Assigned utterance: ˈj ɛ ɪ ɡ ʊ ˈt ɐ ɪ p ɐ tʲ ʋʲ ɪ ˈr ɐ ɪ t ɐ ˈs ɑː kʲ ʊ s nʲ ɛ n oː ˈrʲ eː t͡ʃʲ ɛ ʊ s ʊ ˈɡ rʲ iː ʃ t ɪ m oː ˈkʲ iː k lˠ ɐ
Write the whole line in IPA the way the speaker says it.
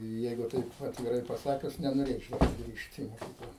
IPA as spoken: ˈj ɛ ɪ ɡ ʊ ˈt ɐ ɪ p ɐ tʲ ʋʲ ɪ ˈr ɐ ɪ p ɐ ˈs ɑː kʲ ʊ s nʲ ɛ n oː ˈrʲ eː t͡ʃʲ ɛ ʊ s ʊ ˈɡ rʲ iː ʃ t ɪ m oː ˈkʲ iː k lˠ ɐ